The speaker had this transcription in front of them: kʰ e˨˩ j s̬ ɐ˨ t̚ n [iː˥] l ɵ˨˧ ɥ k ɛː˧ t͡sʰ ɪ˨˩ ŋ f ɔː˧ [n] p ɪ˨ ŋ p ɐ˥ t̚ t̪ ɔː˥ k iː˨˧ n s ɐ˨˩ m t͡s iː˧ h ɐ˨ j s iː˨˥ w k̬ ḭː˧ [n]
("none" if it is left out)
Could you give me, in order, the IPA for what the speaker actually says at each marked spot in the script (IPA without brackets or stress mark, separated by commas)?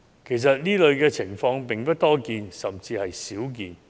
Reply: iː˥, ŋ, n